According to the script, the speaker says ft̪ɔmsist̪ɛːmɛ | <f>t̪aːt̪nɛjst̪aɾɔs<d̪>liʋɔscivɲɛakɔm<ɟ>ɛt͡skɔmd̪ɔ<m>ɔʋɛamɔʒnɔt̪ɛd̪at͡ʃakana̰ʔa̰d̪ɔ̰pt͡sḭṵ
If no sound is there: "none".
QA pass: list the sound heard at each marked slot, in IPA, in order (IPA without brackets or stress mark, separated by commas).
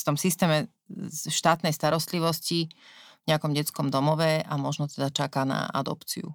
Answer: ʃ, t̪, ɟ, m